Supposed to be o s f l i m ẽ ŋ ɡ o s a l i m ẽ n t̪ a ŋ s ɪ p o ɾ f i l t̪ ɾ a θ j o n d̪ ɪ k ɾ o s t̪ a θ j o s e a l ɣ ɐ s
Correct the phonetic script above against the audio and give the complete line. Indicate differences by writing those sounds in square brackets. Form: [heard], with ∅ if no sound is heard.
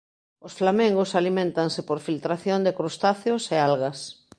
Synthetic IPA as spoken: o s f l [a] m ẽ ŋ ɡ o s a l i m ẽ n t̪ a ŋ s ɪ p o ɾ f i l t̪ ɾ a θ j o n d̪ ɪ k ɾ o s t̪ a θ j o s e a l ɣ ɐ s

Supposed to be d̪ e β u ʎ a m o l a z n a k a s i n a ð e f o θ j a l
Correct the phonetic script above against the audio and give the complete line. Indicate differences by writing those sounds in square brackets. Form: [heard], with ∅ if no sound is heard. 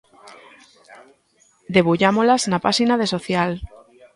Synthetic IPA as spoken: d̪ e β u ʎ a m o l a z n a [p] a s i n a ð e [s] o θ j a l

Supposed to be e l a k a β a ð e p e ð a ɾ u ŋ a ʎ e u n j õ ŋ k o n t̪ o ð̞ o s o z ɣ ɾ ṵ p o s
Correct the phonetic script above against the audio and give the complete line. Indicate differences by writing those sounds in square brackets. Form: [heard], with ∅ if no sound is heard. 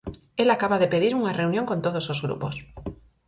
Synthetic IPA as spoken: e l a k a β a ð e p e ð [i] ɾ u ŋ a [r] e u n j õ ŋ k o n t̪ o ð̞ o s o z ɣ ɾ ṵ p o s

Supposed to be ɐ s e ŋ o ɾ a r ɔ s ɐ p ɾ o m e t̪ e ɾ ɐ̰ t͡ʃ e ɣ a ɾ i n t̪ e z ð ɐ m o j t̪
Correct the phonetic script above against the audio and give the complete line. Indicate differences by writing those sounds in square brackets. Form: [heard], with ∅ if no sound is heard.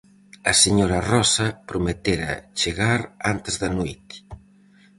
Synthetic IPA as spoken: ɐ s e [ɲ] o ɾ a r ɔ s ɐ p ɾ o m e t̪ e ɾ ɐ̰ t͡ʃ e ɣ a ɾ [a] n t̪ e z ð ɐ [n] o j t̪

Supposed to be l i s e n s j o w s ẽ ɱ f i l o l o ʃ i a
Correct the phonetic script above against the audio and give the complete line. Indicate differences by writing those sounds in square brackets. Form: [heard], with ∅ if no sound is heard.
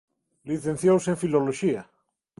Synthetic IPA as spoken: l i [θ] e n [θ] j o w s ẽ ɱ f i l o l o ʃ i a

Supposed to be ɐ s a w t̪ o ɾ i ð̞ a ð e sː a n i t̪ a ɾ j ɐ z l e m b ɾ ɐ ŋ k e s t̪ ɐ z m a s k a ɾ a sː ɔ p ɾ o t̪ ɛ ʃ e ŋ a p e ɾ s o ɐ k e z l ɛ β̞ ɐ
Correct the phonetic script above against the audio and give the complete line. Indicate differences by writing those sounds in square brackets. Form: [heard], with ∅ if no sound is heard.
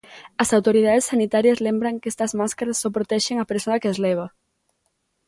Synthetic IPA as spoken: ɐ s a w t̪ o ɾ i ð̞ a ð e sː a n i t̪ a ɾ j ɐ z l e m b ɾ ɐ ŋ k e s t̪ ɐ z m a s k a ɾ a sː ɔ p ɾ o t̪ ɛ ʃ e ŋ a p e ɾ s o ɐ k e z l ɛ β̞ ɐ

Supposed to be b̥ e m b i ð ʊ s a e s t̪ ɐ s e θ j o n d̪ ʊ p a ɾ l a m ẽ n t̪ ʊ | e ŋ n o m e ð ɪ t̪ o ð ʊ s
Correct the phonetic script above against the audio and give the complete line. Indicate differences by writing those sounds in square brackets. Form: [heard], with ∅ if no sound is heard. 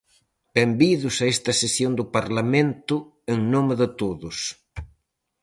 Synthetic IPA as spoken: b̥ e m b i ð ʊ s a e s t̪ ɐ s e [s] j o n d̪ ʊ p a ɾ l a m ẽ n t̪ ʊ | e ŋ n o m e ð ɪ t̪ o ð ʊ s

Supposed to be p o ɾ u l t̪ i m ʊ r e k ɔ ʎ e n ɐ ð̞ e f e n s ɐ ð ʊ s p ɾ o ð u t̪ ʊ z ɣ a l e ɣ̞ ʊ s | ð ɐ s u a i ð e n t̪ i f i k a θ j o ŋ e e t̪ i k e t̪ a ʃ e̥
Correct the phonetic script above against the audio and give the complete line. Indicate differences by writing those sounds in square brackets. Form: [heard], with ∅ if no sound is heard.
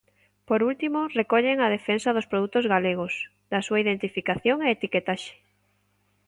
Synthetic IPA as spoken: p o ɾ u l t̪ i m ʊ r e k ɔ ʎ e [ŋ] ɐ ð̞ e f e n s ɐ ð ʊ s p ɾ o ð u t̪ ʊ z ɣ a l e ɣ̞ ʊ s | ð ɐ s u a i ð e n t̪ i f i k a θ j o ŋ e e t̪ i k e t̪ a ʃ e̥

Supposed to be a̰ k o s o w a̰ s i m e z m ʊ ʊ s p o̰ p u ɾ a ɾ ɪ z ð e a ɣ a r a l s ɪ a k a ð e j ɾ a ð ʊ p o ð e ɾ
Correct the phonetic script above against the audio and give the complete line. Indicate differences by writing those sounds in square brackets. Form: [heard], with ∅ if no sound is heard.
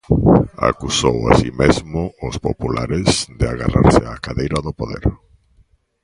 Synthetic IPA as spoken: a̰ k [u] s o w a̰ s i m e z m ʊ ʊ s p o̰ p u [l] a ɾ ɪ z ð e a ɣ a r a [ɾ] s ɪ a k a ð e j ɾ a ð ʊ p o ð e ɾ

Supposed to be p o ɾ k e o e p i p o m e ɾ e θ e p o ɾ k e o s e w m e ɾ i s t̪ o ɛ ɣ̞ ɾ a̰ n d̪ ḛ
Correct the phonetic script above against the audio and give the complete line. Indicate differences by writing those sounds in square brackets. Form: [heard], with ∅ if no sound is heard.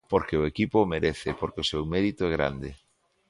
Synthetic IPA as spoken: p o ɾ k e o e [k] i p o m e ɾ e θ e p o ɾ k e o s e w m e ɾ i [∅] t̪ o ɛ ɣ̞ ɾ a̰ n d̪ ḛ

